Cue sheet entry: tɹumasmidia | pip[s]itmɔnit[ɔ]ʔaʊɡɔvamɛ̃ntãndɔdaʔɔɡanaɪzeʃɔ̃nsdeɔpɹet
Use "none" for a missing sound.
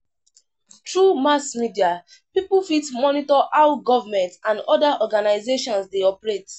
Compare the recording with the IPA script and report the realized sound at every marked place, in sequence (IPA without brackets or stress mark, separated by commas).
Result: f, ɔ